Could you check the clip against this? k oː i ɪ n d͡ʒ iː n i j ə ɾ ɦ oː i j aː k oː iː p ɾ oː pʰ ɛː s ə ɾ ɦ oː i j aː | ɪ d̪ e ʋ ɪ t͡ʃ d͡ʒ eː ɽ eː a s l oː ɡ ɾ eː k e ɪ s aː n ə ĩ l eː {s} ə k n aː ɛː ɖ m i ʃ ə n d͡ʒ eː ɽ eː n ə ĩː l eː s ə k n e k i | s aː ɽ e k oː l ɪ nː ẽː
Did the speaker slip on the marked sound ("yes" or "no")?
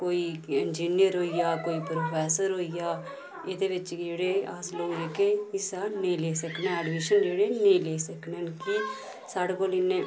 no